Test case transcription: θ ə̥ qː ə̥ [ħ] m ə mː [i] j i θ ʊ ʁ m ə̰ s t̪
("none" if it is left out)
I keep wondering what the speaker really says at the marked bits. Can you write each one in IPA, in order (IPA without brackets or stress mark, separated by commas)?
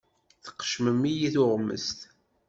ʃ, i